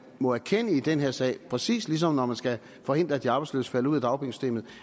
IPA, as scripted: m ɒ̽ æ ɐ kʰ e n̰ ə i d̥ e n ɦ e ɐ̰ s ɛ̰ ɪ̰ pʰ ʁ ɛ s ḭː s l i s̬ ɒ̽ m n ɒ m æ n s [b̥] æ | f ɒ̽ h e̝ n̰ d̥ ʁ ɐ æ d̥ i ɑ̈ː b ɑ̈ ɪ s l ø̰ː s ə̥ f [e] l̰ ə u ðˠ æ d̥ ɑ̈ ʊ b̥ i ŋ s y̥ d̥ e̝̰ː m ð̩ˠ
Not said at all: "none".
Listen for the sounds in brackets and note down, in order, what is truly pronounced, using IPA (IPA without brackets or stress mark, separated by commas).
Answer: ɡ̥, æ